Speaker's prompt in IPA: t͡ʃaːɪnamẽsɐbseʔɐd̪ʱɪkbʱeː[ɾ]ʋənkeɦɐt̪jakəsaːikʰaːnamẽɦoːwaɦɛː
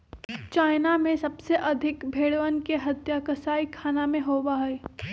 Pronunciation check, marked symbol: incorrect: ɽ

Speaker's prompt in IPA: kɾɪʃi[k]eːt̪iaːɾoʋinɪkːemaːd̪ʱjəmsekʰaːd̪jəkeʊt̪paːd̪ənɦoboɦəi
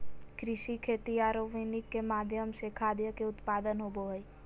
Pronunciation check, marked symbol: incorrect: kʰ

